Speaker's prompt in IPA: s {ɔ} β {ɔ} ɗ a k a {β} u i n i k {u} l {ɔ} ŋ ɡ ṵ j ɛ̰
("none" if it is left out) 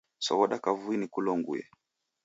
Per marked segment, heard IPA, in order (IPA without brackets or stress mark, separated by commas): ɔ, ɔ, v, u, ɔ